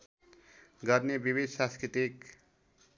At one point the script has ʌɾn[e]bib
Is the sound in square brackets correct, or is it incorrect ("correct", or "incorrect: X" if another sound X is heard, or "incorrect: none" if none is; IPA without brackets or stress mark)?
correct